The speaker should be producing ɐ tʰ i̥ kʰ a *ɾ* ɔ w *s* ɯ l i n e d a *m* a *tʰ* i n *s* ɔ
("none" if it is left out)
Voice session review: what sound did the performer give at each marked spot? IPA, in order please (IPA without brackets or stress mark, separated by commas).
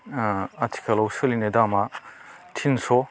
l, s, m, tʰ, s